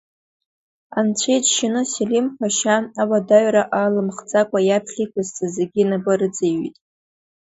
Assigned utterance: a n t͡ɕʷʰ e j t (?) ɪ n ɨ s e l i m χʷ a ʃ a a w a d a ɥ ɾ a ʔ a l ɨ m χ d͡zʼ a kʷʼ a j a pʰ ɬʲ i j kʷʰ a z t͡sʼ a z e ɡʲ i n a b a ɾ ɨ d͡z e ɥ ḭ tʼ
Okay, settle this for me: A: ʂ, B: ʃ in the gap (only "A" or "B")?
B